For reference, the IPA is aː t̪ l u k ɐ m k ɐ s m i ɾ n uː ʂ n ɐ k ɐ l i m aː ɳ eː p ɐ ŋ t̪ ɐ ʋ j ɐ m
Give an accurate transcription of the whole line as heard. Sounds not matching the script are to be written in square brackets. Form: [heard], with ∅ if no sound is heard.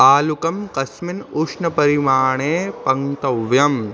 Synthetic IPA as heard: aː [∅] l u k ɐ m k ɐ s m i [∅] n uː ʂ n ɐ [p] ɐ [ɾ] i m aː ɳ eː p ɐ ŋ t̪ ɐ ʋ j ɐ m